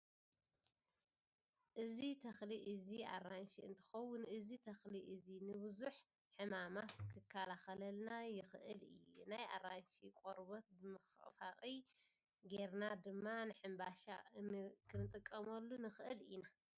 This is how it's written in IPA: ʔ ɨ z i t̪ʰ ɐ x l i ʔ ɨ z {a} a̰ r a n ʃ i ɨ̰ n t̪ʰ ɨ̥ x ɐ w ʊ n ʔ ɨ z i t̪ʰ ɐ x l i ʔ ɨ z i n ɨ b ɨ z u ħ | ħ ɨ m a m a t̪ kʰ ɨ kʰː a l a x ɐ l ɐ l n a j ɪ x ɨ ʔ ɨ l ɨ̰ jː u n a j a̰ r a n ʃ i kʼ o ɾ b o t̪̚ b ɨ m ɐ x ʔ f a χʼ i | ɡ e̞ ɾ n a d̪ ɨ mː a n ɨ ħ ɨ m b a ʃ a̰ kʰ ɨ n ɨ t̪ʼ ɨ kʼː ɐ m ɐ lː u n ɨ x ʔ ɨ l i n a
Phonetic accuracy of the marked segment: incorrect: i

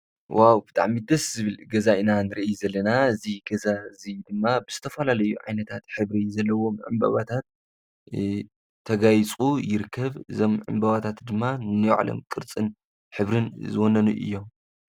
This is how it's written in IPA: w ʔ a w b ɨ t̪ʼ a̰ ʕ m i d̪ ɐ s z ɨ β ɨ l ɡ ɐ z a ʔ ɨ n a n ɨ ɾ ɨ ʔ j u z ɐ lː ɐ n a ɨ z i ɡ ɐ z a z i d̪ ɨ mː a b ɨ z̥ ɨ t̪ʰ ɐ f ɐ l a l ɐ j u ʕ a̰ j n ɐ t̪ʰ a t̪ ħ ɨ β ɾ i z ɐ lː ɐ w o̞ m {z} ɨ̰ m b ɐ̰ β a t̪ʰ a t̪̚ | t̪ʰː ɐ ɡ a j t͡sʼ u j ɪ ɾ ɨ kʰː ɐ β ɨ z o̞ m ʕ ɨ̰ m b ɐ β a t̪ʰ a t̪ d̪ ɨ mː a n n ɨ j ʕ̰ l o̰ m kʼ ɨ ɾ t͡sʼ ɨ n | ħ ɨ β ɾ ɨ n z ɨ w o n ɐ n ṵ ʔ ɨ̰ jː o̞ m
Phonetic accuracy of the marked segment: incorrect: ʕ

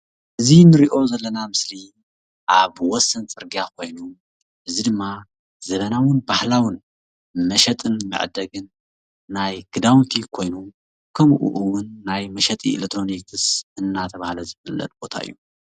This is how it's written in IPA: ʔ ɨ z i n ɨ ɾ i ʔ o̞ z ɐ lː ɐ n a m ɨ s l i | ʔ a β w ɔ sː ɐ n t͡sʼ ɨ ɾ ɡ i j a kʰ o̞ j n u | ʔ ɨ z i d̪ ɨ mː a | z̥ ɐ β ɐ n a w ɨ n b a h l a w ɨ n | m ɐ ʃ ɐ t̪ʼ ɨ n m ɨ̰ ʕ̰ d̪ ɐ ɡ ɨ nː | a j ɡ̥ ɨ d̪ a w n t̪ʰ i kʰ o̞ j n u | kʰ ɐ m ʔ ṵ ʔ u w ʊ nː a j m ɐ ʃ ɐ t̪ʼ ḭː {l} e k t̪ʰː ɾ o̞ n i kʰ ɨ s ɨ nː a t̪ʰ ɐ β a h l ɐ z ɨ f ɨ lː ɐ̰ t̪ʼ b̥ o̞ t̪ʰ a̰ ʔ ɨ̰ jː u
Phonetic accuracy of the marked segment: correct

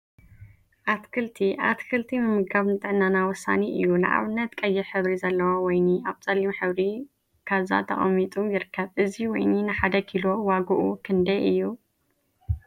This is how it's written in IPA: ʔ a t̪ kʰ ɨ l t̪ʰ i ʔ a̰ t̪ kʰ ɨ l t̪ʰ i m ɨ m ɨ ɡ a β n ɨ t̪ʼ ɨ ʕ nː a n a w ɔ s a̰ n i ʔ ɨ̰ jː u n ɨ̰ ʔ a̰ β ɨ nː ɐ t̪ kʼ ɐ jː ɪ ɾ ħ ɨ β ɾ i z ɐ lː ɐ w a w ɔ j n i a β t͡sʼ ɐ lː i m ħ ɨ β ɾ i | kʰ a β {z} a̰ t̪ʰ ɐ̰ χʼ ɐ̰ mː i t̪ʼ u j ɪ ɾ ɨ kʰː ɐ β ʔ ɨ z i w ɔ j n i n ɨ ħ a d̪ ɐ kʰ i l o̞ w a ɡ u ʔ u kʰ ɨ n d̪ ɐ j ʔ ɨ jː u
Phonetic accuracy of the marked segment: correct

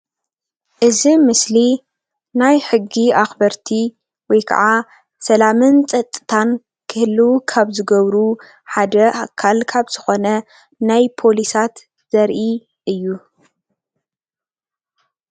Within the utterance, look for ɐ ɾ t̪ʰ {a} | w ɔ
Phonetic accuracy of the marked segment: incorrect: i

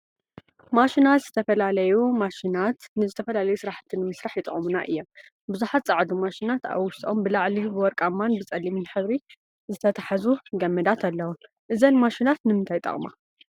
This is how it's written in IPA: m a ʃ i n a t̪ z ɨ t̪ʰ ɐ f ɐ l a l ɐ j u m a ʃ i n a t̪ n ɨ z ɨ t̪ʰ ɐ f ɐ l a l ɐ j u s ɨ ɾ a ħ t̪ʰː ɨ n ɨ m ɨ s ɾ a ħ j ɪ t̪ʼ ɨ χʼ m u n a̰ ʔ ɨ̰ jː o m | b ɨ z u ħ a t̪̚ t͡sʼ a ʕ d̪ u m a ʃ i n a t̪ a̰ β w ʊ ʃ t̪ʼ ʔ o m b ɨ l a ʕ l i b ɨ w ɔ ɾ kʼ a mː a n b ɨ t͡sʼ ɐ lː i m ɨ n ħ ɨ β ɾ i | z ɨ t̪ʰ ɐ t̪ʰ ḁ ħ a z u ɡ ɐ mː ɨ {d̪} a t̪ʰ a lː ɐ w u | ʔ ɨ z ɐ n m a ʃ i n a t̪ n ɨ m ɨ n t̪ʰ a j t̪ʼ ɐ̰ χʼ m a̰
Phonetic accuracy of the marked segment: correct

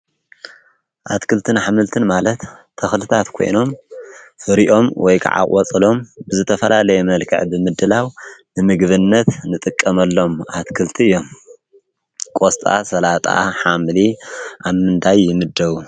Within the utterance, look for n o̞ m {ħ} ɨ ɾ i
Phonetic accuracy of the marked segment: incorrect: f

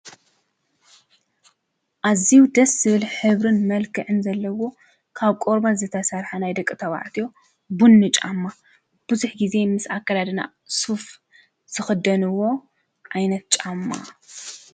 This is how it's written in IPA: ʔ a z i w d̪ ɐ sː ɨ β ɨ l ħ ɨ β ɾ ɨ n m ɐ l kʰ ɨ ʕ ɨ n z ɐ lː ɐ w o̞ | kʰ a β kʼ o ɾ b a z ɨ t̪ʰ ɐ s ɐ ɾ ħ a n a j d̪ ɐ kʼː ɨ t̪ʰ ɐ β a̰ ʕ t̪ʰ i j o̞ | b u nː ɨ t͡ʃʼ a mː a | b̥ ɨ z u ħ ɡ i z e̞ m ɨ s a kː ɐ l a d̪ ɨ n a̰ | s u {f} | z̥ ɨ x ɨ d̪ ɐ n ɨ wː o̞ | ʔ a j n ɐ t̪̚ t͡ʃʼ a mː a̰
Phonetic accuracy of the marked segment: correct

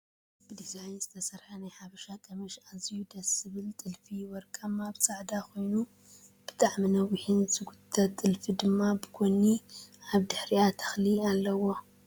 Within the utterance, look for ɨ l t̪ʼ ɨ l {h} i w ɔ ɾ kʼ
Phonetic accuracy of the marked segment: incorrect: f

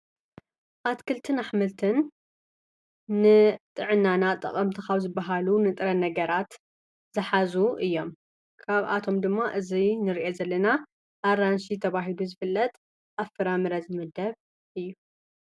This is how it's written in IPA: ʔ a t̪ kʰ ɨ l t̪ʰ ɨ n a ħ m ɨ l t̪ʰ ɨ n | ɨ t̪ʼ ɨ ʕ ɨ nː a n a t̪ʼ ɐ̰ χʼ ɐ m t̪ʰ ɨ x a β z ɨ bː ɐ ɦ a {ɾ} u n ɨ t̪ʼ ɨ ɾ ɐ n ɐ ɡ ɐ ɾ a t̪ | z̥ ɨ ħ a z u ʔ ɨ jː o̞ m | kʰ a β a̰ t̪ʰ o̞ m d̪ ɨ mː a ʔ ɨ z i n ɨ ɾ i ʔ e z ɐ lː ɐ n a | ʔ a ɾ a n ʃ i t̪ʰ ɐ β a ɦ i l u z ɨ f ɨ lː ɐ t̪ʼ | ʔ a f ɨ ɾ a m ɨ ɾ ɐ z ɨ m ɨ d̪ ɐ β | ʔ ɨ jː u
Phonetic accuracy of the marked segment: incorrect: l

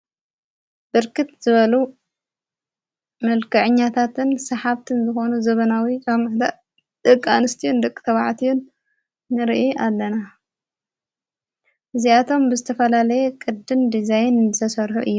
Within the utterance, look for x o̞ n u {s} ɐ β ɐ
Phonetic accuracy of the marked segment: incorrect: z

